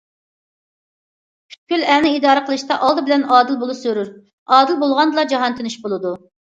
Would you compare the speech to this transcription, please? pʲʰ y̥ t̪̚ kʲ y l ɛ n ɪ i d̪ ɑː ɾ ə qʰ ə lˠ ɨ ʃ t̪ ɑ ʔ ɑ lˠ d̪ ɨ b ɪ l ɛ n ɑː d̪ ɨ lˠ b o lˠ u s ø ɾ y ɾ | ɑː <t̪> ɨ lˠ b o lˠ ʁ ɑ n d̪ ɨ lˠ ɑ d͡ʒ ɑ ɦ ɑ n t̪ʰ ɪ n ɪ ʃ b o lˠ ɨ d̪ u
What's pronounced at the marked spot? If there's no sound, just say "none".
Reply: d̪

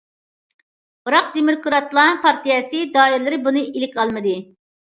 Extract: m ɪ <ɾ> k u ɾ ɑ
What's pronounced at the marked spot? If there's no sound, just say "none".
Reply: ɾ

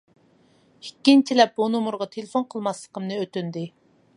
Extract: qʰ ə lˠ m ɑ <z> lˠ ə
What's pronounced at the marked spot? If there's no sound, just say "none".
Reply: s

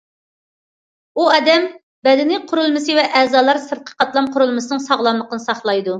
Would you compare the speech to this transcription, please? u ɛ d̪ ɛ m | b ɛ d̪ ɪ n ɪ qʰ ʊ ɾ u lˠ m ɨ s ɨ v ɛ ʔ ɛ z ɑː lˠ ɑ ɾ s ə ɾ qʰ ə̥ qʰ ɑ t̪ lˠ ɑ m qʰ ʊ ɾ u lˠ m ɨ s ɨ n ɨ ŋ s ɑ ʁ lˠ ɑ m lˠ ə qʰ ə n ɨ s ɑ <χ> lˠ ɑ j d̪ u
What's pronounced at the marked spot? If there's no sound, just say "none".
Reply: χ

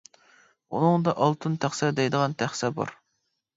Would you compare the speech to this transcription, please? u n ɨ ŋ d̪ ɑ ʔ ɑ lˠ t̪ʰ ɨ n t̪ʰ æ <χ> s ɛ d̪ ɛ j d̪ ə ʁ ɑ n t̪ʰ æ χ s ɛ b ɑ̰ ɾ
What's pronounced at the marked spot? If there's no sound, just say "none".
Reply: χ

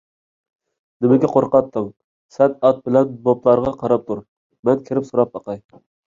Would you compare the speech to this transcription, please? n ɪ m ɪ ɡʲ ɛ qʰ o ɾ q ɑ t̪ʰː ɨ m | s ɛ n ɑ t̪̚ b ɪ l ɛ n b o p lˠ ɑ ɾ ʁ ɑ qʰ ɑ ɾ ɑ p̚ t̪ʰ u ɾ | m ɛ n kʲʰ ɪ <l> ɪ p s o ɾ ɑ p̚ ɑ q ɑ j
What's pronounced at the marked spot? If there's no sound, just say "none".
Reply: ɾ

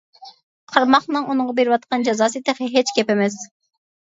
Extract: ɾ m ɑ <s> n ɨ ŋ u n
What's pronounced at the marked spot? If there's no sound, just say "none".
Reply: χ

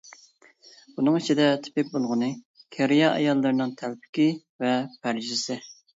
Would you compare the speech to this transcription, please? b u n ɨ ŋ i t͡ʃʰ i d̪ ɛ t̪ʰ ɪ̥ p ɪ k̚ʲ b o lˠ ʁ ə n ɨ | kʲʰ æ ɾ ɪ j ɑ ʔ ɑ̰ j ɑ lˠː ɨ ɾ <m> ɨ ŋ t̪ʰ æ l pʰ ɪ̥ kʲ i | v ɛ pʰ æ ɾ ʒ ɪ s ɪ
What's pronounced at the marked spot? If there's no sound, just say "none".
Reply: n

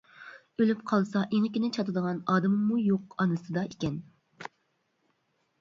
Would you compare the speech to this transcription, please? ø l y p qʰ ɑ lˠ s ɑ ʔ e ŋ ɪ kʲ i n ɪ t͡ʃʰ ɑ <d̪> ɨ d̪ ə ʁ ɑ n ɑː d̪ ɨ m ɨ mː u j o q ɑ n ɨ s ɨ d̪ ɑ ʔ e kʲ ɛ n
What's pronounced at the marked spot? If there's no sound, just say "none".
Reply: t̪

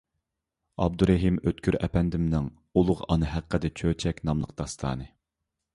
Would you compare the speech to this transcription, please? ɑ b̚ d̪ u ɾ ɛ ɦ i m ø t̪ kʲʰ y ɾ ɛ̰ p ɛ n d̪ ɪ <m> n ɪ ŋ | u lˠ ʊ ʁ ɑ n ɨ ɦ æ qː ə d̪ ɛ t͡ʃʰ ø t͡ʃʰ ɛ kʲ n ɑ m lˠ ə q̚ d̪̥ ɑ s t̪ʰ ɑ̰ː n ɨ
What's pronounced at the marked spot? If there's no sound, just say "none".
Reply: m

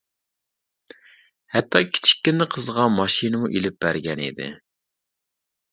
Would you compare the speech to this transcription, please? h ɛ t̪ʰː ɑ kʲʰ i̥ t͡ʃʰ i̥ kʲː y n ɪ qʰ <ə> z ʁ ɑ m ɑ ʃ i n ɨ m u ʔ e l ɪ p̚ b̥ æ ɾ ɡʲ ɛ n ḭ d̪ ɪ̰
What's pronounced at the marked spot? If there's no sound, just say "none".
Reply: ə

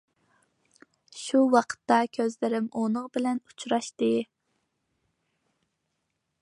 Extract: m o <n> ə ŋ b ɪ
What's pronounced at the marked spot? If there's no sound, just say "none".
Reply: n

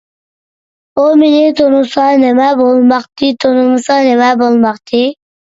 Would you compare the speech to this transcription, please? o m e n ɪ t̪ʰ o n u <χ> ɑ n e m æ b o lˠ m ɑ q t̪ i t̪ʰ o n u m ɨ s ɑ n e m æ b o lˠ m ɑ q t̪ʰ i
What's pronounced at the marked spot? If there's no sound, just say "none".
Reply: s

